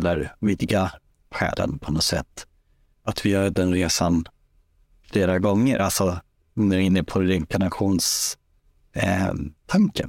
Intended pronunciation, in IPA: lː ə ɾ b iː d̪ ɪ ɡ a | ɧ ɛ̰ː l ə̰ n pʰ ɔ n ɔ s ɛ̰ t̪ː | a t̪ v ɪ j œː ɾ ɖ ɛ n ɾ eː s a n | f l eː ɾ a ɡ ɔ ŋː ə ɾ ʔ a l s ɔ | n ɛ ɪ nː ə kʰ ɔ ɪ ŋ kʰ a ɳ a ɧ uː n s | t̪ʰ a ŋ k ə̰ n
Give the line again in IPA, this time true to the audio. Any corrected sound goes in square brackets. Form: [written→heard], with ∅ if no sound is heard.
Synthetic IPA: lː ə ɾ [b→v] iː d̪ ɪ ɡ a | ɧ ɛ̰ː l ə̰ n pʰ ɔ n ɔ s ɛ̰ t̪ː | a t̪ v ɪ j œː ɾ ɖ ɛ n ɾ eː s a n | f l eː ɾ a ɡ ɔ ŋː ə ɾ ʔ a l s ɔ | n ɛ ɪ nː ə [kʰ→pʰ] ɔ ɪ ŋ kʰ a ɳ a ɧ uː n s | t̪ʰ a ŋ k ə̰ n